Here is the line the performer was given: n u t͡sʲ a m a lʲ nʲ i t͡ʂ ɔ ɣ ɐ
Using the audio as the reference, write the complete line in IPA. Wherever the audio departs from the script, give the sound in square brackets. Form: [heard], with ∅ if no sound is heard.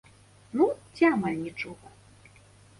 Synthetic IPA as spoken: n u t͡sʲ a m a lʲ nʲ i t͡ʂ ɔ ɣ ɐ